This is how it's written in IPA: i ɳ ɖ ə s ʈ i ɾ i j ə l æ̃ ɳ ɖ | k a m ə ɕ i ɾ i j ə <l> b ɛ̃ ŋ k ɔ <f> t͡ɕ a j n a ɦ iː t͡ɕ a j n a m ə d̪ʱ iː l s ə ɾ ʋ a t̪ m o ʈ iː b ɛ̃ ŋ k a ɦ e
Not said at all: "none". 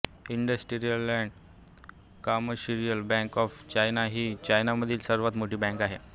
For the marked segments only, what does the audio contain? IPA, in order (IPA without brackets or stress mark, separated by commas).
l, f